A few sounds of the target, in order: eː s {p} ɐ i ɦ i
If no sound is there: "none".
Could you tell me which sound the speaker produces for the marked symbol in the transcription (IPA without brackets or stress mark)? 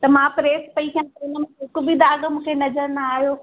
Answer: p